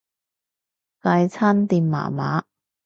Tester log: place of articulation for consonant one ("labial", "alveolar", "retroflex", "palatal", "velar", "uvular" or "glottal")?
velar